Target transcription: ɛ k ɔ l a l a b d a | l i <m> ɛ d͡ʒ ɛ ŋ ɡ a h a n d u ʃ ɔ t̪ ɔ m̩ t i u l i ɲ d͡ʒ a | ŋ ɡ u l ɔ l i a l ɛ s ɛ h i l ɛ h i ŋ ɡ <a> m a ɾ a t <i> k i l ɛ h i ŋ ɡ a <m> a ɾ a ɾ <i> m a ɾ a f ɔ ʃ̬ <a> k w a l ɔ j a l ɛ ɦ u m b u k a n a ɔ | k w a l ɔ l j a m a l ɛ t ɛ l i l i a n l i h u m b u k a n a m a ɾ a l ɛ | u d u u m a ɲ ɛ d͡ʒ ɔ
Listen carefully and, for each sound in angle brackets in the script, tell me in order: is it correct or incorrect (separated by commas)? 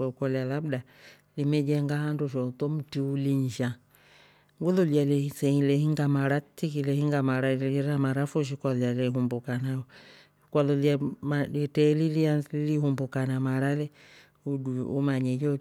correct, correct, correct, correct, incorrect, incorrect